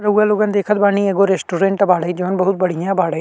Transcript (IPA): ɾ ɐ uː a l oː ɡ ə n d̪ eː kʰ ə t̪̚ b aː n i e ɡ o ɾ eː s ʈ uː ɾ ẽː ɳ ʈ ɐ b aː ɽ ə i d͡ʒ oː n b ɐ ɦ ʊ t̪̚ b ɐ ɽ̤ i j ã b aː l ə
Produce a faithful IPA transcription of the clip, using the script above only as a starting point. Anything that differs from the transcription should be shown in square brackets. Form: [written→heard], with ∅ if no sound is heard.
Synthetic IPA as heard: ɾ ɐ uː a l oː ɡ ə n d̪ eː kʰ ə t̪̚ b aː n i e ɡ o ɾ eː s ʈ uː ɾ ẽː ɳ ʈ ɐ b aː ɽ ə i d͡ʒ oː n b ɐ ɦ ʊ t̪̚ b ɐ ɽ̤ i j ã b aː [l→ɽ] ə